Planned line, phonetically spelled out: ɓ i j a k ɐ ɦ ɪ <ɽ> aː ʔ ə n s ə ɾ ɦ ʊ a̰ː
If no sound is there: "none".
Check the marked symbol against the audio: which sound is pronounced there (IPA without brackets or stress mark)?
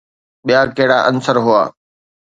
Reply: ɽ